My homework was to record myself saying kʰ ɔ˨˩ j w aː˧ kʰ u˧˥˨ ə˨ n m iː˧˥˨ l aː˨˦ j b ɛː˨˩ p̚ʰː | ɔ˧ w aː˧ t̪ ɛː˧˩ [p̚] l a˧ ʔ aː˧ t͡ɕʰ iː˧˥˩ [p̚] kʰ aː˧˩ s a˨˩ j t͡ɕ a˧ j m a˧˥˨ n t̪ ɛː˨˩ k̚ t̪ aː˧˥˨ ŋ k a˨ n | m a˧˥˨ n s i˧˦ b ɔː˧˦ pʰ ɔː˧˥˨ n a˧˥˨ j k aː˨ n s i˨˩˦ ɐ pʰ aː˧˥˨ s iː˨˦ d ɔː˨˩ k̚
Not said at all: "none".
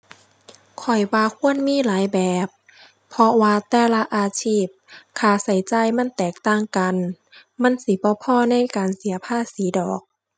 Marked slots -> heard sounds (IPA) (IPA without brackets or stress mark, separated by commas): none, p̚